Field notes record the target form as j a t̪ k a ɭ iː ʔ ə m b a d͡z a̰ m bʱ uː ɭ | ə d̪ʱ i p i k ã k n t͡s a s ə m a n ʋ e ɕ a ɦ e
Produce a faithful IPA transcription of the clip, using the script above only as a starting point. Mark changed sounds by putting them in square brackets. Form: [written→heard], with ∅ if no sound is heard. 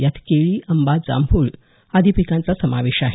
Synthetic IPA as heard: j a t̪ k [a→e] ɭ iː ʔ ə m b a d͡z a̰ m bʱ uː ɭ | [ə→a] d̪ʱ i p i k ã [k→∅] n t͡s a s ə m a [n→∅] ʋ e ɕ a ɦ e